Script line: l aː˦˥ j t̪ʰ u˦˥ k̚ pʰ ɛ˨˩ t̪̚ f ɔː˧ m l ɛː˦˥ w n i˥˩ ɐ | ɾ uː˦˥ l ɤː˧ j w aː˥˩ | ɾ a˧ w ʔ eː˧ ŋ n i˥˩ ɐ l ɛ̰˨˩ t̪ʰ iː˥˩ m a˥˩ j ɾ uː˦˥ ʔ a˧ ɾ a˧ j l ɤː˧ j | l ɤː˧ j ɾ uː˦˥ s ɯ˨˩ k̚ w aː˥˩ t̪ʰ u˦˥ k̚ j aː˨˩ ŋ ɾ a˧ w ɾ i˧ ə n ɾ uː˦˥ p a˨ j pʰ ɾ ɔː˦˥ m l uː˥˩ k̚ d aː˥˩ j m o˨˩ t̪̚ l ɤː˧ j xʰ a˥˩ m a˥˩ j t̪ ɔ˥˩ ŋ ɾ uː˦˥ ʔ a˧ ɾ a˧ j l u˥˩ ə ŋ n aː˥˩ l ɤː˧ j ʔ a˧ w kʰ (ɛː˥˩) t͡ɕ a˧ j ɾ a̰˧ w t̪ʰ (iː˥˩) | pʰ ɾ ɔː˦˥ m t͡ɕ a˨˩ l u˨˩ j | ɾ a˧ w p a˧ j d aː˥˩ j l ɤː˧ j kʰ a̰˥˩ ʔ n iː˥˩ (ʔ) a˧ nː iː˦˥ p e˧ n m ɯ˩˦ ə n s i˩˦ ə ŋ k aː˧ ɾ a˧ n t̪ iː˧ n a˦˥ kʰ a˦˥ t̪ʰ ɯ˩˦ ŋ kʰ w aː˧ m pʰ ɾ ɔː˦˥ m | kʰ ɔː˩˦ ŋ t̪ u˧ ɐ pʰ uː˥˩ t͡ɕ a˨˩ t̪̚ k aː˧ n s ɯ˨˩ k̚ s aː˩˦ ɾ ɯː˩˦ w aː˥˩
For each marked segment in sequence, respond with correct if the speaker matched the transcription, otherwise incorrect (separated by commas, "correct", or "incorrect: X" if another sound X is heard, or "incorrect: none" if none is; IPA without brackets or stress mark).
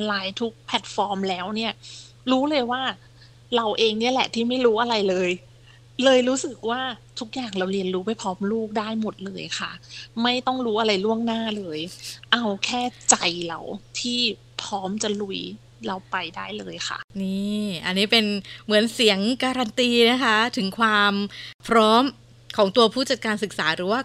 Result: correct, correct, correct